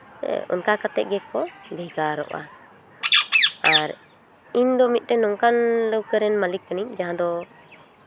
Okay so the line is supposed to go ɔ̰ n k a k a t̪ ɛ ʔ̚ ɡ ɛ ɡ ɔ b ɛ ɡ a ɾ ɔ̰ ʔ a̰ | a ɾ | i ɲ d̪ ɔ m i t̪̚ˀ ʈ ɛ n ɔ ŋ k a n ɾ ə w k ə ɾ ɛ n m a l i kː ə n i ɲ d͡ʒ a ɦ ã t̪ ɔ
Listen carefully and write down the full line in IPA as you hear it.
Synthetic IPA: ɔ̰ n k a k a t̪ ɛ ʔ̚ ɡ ɛ k ɔ b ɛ ɡ a ɾ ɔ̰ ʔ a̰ | a ɾ | i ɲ d̪ ɔ m i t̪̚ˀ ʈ ɛ n ɔ ŋ k a n l ə w k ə ɾ ɛ n m a l i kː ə n i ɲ d͡ʒ a ɦ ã d̪ ɔ